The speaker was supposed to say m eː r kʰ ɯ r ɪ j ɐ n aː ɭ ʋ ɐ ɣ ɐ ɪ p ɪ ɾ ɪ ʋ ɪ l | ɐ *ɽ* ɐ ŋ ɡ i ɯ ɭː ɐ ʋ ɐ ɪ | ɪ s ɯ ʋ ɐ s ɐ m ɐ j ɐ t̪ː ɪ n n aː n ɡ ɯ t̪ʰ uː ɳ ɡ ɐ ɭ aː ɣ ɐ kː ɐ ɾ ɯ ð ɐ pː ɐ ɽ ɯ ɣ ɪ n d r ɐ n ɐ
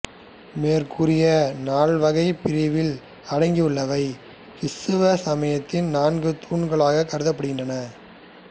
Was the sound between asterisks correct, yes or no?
yes